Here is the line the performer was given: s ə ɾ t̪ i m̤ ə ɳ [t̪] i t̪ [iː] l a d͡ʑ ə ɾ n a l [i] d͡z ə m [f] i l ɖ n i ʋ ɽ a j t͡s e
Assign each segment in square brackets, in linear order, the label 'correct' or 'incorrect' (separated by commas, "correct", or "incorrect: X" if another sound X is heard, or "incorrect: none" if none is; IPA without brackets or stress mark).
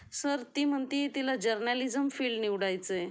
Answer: correct, incorrect: i, correct, correct